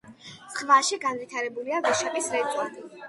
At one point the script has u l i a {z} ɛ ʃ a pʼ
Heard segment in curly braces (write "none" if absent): v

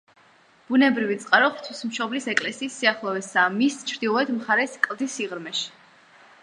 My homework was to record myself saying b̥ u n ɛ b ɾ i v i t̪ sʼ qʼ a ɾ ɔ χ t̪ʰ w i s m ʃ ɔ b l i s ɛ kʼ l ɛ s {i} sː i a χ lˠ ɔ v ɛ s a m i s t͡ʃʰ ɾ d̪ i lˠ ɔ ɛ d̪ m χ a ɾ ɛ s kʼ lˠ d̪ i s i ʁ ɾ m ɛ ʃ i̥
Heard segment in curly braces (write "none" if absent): iː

